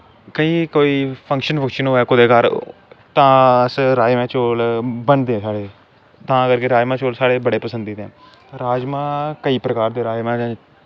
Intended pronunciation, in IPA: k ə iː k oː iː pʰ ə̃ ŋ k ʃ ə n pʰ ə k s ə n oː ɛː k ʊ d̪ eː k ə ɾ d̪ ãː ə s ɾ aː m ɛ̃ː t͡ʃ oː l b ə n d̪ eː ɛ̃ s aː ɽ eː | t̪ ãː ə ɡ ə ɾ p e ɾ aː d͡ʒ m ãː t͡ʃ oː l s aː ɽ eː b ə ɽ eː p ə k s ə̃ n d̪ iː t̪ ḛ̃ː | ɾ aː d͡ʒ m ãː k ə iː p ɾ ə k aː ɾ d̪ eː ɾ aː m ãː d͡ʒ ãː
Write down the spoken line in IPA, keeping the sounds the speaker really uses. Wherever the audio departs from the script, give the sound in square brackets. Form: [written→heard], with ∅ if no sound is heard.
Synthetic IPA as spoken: k ə iː k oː iː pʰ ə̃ ŋ k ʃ ə n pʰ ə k [s→ʃ] ə n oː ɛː k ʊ d̪ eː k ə ɾ [d̪→t̪] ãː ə s ɾ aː m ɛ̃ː t͡ʃ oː l b ə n d̪ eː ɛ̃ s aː ɽ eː | t̪ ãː ə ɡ ə ɾ [p→k] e ɾ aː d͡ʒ m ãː t͡ʃ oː l s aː ɽ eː b ə ɽ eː p ə [k→∅] s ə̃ n d̪ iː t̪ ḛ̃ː | ɾ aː d͡ʒ m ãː k ə iː p ɾ ə k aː ɾ d̪ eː ɾ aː m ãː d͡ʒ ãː